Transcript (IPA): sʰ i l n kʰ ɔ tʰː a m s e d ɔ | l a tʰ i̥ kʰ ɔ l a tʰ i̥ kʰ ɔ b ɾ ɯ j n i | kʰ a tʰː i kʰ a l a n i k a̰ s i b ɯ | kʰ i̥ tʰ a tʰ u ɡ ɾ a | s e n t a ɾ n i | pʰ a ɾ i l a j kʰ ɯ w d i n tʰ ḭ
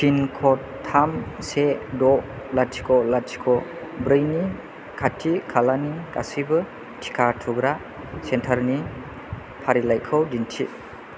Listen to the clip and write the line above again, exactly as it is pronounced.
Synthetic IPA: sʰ i n kʰ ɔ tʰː a m s e d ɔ | l a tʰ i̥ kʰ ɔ l a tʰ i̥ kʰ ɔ b ɾ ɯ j n i | kʰ a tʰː i kʰ a l a n i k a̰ s i b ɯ | tʰ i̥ kʰ a tʰ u ɡ ɾ a | s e n tʰ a ɾ n i | pʰ a ɾ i l a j kʰ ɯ w d i n tʰ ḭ